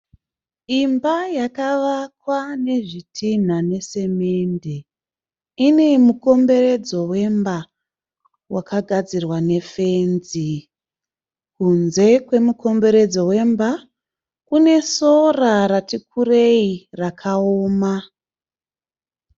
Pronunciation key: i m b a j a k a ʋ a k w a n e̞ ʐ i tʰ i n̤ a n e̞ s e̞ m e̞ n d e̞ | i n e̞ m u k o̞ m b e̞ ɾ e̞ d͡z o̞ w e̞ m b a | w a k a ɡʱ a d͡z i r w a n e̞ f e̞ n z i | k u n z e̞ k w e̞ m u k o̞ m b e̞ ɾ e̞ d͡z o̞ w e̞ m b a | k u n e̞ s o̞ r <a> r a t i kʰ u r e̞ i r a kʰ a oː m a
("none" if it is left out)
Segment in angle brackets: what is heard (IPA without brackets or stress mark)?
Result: a